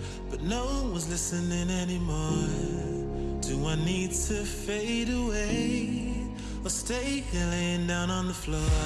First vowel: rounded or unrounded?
unrounded